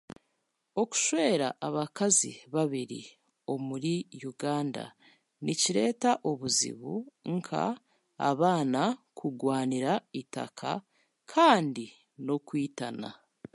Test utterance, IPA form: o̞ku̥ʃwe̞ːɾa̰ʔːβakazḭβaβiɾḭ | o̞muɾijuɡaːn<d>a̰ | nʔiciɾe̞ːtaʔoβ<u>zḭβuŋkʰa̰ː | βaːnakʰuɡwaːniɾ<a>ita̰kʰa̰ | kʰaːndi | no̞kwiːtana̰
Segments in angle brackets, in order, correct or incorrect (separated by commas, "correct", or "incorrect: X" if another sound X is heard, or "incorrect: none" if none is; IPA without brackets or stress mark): correct, correct, correct